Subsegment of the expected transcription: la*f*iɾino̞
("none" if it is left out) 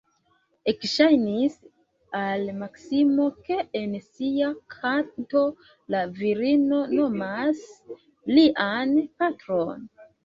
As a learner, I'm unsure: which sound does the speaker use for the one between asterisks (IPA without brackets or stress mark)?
v